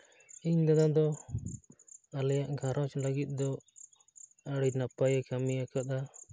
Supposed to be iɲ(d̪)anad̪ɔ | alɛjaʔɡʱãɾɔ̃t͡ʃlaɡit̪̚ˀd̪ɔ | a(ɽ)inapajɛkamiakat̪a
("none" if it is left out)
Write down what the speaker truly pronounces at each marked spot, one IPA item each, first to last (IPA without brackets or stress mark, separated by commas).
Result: d̪, ɽ